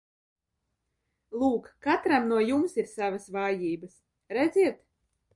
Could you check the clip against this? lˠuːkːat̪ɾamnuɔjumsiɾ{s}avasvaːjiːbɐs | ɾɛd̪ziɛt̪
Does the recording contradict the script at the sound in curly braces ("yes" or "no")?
no